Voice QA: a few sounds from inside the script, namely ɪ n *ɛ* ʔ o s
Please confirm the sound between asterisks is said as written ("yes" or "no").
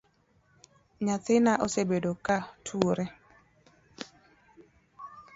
no